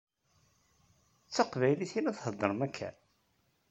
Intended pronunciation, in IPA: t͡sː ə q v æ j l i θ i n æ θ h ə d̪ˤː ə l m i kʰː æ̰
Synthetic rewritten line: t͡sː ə q v æ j l i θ i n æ θ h ə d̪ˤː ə ɾ m æ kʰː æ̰